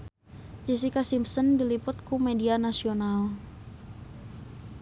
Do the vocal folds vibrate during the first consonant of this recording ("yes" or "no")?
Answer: yes